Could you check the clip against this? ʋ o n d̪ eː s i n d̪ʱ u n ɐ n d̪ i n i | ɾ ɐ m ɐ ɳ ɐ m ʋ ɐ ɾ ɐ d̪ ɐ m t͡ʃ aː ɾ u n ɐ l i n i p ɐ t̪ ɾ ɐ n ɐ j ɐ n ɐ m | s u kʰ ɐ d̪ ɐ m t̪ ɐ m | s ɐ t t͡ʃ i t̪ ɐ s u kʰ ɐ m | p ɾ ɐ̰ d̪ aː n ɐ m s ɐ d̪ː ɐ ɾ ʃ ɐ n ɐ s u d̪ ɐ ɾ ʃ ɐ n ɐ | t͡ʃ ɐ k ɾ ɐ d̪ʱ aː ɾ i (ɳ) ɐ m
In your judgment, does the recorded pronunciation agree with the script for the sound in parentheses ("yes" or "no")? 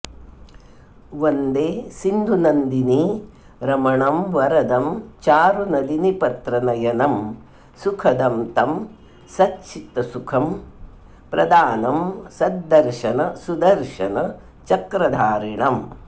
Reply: yes